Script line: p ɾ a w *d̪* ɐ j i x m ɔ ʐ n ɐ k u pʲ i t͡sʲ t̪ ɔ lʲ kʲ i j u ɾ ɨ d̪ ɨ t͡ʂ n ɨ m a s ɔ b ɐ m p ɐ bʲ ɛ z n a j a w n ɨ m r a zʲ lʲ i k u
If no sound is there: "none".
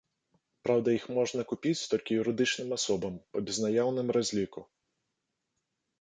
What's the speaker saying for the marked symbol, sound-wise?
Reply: d̪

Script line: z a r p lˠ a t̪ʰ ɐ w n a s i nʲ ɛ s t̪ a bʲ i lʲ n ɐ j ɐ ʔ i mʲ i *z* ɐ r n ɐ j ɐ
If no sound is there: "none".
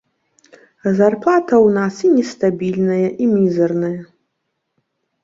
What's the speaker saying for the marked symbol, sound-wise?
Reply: z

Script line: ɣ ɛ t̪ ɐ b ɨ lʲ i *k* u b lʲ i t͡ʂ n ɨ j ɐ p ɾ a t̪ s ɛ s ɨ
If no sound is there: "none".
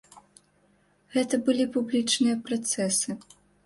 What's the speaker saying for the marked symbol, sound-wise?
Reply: p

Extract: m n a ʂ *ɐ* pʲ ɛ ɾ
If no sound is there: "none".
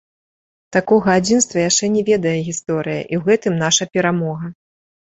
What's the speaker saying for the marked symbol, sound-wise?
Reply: ɐ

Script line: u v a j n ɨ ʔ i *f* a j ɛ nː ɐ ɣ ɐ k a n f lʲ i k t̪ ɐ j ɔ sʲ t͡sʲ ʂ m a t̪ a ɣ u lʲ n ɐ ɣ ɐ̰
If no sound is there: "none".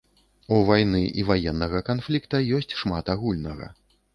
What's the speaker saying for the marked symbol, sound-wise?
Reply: v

